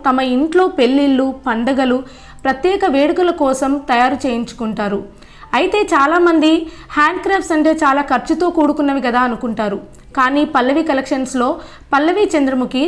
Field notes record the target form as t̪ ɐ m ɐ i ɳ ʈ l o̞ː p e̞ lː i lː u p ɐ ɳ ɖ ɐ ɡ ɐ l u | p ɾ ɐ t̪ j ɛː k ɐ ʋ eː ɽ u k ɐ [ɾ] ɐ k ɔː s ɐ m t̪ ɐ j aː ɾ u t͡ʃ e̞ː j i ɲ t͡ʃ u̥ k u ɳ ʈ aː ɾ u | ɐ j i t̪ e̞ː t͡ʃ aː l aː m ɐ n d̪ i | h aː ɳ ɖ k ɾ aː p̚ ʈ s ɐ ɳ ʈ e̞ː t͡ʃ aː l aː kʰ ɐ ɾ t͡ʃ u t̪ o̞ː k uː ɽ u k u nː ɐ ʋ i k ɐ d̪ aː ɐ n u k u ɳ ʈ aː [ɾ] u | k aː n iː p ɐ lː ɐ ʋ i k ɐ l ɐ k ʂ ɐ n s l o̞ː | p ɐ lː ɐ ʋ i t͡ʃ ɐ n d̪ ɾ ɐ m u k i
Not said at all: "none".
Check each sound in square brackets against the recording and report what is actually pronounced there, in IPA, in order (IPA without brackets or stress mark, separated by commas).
l, ɾ